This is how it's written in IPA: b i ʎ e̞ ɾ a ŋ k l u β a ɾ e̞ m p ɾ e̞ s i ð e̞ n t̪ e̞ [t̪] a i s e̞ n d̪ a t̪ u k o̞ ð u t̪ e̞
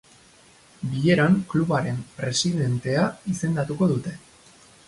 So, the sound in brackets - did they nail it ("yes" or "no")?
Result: no